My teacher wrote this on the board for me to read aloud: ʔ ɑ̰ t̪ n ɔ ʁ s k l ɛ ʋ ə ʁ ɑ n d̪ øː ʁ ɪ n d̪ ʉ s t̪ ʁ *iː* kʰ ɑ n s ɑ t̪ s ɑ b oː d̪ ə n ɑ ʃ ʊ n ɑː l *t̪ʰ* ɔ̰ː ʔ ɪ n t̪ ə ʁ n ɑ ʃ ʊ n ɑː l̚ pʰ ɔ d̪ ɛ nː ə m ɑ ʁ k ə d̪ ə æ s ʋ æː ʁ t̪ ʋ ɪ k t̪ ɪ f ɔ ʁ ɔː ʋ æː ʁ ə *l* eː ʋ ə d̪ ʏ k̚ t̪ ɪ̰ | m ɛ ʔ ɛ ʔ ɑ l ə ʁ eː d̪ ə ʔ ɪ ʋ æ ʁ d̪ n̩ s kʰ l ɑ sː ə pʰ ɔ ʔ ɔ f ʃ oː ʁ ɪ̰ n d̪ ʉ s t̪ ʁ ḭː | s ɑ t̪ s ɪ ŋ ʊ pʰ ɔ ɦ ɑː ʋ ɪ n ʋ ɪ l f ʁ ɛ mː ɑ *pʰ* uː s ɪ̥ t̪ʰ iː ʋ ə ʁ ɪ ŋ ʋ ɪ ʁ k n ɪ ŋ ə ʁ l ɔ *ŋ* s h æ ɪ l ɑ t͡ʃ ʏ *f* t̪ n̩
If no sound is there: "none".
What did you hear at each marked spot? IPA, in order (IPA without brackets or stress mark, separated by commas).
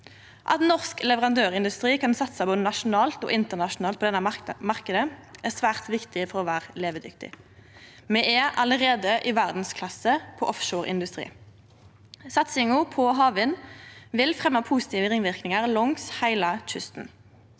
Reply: iː, t̪, l, pʰ, ŋ, s